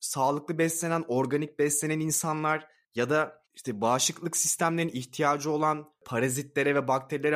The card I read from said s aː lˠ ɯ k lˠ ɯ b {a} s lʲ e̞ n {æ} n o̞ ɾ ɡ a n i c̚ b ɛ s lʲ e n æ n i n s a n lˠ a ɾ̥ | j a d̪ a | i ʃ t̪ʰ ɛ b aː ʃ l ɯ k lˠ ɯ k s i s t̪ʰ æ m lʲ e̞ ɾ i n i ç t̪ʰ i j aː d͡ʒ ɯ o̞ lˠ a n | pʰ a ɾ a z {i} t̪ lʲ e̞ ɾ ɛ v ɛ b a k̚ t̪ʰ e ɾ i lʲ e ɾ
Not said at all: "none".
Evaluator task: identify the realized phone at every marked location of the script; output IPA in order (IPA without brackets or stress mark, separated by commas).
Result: ɛ, æ, i